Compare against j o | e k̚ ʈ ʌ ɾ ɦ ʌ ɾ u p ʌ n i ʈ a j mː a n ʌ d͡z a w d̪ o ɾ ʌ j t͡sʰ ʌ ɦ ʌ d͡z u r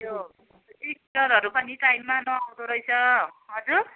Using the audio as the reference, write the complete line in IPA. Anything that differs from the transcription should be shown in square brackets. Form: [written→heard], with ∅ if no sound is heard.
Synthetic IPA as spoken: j o | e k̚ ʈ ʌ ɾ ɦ ʌ ɾ u p ʌ n i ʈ a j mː a n ʌ [d͡z→∅] a w d̪ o ɾ ʌ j t͡sʰ ʌ ɦ ʌ d͡z u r